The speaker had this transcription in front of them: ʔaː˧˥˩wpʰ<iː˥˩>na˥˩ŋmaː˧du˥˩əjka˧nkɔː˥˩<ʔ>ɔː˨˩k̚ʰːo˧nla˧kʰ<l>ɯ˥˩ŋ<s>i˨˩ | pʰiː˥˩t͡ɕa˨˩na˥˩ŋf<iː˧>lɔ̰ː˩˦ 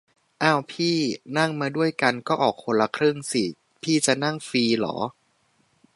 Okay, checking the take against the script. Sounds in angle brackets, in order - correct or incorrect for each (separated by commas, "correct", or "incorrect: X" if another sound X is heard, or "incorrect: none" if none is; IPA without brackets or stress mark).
correct, correct, incorrect: ɾ, correct, correct